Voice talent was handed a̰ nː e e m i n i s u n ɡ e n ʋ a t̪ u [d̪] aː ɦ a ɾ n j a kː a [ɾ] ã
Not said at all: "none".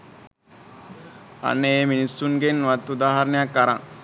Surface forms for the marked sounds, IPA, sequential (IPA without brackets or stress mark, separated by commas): d̪, ɾ